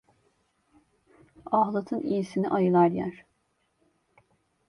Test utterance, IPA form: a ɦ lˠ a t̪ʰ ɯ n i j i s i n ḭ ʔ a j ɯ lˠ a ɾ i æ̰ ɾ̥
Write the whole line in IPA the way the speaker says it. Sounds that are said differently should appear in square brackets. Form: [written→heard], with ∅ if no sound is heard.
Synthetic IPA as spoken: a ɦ lˠ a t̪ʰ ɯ n i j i s i n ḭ ʔ a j ɯ lˠ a ɾ [i→j] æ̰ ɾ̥